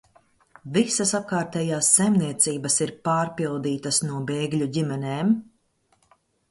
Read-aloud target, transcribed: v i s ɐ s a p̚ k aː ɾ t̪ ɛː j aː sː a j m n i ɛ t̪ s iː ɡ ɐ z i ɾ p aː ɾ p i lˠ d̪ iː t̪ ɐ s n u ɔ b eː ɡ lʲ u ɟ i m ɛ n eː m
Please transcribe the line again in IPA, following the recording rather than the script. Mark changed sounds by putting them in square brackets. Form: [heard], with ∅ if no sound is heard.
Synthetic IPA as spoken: v i s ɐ s a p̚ k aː ɾ t̪ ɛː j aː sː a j m n i ɛ t̪ s iː [b] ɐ [s] i ɾ p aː ɾ p i lˠ d̪ iː t̪ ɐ s n u ɔ b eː ɡ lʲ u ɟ i m ɛ n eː m